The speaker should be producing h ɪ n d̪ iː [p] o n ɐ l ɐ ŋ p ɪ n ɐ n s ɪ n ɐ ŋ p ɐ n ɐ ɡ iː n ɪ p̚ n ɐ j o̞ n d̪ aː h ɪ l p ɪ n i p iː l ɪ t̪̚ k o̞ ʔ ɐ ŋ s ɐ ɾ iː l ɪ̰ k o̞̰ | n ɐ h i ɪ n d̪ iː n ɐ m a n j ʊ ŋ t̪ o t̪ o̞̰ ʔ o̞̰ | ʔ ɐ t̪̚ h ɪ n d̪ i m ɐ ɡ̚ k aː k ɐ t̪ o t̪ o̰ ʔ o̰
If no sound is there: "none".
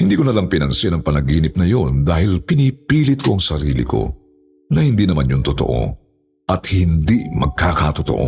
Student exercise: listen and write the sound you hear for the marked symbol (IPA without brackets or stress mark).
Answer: k